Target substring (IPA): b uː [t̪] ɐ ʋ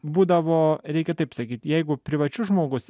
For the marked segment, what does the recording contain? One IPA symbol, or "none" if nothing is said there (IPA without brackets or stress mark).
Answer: d̪